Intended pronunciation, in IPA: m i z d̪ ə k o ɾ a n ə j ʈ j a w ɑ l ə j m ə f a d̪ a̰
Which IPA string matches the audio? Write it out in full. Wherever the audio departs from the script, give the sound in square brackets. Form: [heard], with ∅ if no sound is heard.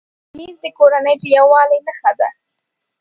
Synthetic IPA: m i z d̪ ə k o ɾ a n ə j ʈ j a w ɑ l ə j [n] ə [x] a d̪ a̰